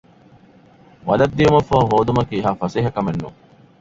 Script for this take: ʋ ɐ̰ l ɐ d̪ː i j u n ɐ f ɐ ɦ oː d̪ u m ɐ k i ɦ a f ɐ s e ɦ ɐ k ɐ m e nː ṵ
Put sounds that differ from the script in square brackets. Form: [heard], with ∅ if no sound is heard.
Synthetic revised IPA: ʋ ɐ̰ l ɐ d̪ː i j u [m] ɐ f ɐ ɦ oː d̪ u m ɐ k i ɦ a f ɐ s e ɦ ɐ k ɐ m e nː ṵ